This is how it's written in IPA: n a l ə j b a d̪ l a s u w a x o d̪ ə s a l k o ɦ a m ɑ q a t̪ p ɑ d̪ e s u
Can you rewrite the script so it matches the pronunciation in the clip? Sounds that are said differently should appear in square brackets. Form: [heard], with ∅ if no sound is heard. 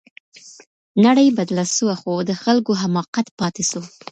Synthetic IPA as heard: n a [ɽ] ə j b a d̪ l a s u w a x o d̪ ə [x] a l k o ɦ a m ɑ q a t̪ p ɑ [t̪] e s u